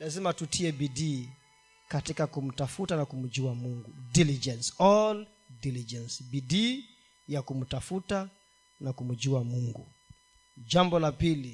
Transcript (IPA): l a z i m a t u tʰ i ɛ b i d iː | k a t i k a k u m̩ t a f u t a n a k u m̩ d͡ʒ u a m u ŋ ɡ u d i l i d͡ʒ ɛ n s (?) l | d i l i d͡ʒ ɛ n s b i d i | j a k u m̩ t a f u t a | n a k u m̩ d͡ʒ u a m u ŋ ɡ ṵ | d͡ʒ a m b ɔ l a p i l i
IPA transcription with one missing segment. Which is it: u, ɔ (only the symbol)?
ɔ